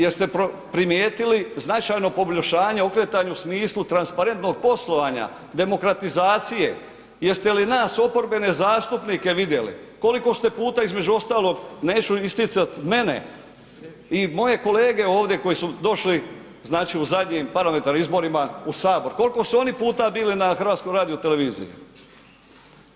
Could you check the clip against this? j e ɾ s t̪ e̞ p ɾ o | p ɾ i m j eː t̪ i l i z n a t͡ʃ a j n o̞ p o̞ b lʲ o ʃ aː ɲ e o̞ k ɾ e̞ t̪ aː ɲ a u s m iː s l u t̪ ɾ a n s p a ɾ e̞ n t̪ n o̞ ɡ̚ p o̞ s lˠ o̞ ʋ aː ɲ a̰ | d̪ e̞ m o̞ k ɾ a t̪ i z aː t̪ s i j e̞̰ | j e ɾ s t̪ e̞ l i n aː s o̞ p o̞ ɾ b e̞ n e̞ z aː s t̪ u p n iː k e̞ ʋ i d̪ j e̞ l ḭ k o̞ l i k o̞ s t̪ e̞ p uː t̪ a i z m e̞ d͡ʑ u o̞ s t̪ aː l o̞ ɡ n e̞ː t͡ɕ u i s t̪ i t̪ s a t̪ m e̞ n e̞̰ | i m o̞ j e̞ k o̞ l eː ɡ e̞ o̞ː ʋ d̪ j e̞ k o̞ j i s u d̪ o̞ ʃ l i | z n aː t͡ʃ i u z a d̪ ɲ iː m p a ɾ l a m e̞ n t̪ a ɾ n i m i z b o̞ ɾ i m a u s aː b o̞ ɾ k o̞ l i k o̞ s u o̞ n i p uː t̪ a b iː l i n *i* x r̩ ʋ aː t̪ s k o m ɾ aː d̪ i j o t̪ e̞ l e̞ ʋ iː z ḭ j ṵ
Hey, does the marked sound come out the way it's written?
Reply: no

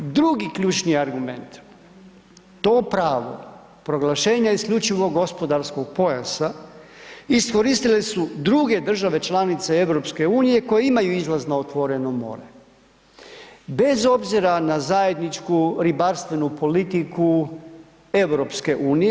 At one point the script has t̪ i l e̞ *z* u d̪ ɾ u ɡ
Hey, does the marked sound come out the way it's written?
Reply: no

